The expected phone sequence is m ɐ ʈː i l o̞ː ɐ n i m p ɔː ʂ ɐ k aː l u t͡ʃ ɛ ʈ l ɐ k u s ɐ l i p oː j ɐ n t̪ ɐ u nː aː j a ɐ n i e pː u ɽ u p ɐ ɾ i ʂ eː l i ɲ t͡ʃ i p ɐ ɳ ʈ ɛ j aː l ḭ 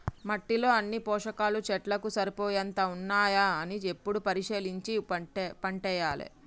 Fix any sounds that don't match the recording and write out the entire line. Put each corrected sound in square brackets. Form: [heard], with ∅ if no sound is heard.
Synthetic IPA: m ɐ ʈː i l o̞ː ɐ [nː] i [∅] p ɔː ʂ ɐ k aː l u t͡ʃ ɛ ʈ l ɐ k u s ɐ [ɾ] i p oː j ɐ n t̪ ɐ u nː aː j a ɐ n i e pː u ɽ u p ɐ ɾ i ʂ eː l i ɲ t͡ʃ i p ɐ ɳ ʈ ɛ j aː l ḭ